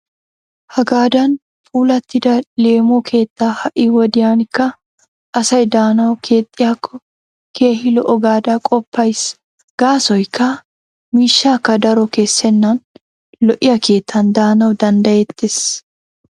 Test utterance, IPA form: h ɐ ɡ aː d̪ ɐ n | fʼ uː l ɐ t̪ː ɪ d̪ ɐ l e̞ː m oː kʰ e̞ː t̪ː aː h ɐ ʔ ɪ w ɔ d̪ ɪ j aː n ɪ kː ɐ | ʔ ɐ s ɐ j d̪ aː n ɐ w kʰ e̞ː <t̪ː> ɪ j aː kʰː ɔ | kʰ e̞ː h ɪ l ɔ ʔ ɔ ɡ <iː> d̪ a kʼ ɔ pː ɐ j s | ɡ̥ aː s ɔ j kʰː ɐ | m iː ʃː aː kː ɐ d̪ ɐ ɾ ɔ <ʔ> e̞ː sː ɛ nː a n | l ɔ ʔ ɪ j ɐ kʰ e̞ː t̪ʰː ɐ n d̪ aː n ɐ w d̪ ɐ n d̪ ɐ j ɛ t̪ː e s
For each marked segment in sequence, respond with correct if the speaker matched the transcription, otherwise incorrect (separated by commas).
incorrect, incorrect, incorrect